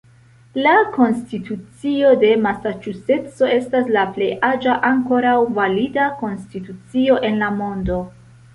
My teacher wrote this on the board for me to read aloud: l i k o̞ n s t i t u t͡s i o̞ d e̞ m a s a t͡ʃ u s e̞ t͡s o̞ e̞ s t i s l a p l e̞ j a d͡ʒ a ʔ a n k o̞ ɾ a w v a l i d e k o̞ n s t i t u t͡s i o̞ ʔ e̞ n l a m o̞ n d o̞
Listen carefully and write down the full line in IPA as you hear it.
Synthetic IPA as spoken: l a k o̞ n s t i t u t͡s i o̞ d e̞ m a s a t͡ʃ u s e̞ t͡s o̞ e̞ s t a s l a p l e̞ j a d͡ʒ a ʔ a ŋ k o̞ ɾ a w v a l i d a k o̞ n s t i t u t͡s i o̞ ʔ e̞ n l a m o̞ n d o̞